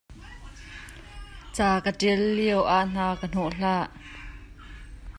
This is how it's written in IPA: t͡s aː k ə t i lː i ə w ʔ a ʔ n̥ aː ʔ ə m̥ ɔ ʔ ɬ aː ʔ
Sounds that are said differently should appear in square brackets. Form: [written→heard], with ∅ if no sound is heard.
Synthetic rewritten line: t͡s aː k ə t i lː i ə w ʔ a ʔ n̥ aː [ʔ→k] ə [m̥→n̥] ɔ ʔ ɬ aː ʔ